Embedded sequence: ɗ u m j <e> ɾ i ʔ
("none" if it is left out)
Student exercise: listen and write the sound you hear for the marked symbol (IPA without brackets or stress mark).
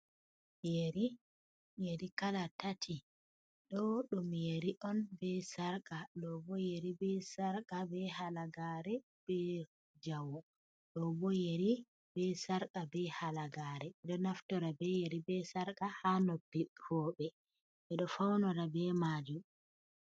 e